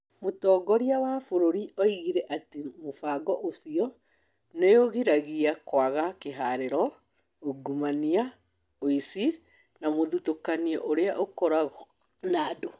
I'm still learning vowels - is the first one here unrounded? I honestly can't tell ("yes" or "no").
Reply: no